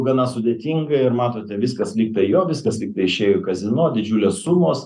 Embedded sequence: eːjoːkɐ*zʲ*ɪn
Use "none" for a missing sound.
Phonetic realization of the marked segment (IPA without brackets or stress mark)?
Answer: zʲ